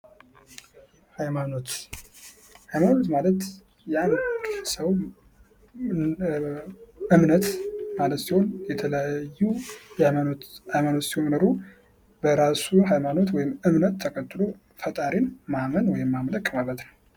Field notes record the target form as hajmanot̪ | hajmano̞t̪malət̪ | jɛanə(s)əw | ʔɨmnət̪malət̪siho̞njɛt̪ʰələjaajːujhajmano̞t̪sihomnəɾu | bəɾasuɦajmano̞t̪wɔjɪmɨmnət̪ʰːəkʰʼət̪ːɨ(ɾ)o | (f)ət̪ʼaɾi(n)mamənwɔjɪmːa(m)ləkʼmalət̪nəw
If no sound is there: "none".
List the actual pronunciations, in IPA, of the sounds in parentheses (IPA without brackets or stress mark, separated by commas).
s, l, f, n, m